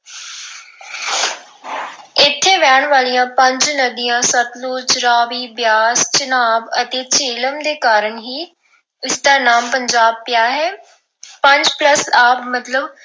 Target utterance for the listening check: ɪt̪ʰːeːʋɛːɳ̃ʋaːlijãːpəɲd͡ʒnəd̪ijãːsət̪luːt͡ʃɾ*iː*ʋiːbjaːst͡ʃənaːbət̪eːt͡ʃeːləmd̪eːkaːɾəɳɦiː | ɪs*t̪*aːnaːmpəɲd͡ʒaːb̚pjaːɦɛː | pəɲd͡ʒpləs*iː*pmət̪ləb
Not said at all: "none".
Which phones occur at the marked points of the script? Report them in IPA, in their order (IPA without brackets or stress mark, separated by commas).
aː, d̪, aː